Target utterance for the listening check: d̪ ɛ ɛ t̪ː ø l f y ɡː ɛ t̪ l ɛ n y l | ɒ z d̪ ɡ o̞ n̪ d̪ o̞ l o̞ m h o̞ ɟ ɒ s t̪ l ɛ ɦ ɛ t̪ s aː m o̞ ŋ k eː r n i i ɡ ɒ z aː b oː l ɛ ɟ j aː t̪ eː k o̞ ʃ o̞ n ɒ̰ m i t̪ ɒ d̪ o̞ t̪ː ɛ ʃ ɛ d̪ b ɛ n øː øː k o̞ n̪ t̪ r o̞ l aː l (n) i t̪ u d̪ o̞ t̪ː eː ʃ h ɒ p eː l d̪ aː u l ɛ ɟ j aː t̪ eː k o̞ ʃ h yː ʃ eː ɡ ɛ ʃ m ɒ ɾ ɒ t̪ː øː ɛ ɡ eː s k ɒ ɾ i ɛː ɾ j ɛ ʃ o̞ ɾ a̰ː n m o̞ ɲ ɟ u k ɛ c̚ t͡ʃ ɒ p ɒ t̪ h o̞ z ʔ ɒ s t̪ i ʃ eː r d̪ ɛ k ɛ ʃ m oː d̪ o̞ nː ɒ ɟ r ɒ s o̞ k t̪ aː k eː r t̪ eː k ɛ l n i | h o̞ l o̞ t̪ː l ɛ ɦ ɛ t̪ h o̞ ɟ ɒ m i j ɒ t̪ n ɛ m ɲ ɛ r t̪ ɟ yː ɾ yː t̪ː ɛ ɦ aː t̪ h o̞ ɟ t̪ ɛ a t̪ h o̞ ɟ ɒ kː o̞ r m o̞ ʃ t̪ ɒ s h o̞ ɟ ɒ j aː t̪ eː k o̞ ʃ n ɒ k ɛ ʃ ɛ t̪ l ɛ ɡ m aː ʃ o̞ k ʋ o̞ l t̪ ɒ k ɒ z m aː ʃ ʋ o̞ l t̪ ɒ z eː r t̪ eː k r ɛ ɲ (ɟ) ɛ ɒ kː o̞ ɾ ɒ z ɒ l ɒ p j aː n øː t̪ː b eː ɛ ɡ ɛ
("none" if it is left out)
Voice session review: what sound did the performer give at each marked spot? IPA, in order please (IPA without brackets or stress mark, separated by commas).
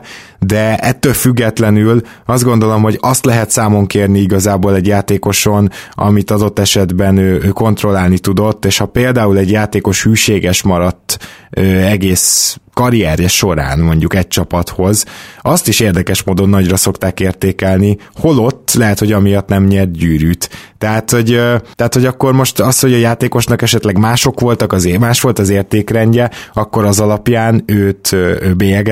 n, ɟ